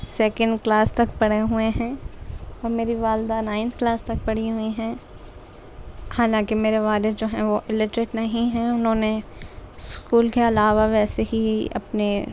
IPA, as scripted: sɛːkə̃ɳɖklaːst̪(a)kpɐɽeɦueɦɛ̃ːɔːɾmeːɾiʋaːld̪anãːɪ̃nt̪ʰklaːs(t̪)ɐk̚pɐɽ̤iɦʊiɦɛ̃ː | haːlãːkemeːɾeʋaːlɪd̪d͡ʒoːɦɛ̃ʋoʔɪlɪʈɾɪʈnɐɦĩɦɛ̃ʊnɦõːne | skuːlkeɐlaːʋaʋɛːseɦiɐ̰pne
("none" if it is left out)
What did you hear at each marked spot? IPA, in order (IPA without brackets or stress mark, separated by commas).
ɐ, t̪